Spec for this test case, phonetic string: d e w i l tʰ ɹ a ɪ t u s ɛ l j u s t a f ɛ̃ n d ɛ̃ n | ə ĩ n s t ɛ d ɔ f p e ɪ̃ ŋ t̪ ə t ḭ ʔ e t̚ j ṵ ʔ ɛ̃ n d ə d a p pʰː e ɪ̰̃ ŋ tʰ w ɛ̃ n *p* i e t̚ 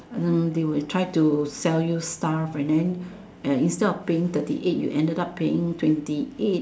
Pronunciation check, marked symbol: incorrect: t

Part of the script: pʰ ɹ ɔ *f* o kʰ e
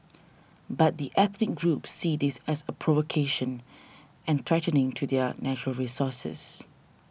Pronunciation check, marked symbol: incorrect: v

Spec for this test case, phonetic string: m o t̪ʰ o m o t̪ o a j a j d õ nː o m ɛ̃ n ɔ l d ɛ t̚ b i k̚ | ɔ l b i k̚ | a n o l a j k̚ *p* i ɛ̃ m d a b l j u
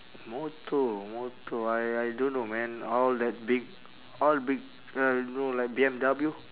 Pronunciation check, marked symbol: incorrect: b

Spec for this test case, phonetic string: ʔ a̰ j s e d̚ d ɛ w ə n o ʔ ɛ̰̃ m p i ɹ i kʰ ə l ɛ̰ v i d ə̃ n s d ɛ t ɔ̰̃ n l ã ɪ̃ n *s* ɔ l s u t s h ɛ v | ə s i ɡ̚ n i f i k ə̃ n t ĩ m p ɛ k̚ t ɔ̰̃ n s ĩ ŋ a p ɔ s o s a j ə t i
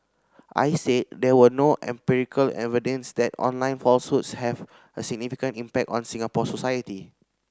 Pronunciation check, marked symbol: incorrect: f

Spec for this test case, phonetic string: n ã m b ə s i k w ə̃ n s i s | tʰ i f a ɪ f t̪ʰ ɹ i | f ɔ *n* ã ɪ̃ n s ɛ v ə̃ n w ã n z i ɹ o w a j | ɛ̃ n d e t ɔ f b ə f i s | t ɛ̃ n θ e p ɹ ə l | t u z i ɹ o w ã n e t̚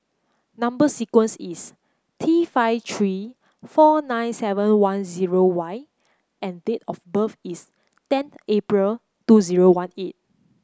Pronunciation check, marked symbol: correct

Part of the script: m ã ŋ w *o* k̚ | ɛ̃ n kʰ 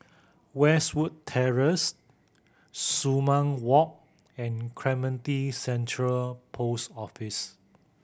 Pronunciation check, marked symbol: incorrect: ɔ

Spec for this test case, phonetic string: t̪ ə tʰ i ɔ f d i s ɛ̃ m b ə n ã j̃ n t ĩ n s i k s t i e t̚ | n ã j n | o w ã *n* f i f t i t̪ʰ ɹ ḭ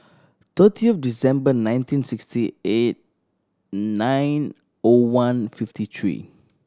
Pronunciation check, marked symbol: correct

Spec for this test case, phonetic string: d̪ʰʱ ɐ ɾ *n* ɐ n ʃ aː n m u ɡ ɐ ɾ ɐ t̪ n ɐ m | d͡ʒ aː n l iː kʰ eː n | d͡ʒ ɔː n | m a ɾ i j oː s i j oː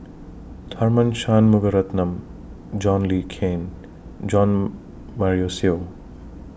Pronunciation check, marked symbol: incorrect: m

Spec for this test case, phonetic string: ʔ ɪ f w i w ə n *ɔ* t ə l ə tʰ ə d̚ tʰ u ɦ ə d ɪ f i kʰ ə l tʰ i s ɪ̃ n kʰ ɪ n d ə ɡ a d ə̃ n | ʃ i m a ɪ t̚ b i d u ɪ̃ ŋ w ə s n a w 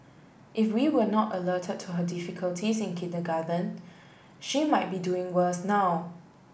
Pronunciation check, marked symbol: correct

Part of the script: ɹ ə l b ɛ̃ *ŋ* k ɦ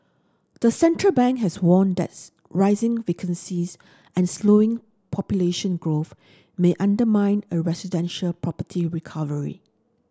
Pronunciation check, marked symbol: correct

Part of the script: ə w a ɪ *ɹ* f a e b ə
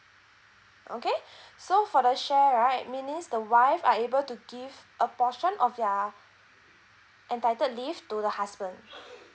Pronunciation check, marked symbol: incorrect: none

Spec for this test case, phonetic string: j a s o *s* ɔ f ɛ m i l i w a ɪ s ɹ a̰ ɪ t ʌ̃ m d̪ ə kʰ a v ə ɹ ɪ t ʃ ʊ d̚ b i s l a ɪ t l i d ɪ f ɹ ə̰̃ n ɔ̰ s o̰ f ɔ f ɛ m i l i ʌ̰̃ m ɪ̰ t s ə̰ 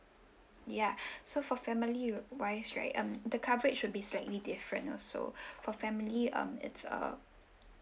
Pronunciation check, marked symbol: incorrect: f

